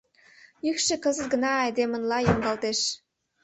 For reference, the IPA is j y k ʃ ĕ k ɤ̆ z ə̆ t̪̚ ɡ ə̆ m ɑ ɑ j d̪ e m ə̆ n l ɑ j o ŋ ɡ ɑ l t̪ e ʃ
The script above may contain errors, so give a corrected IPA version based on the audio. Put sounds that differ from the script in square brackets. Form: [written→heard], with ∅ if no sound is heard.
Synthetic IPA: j y k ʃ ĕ k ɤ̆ z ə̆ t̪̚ ɡ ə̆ [m→n] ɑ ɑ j d̪ e m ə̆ n l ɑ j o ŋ ɡ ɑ l t̪ e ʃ